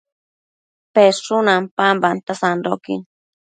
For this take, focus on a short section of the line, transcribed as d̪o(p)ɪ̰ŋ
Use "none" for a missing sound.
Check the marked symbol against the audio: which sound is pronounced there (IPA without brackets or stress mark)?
k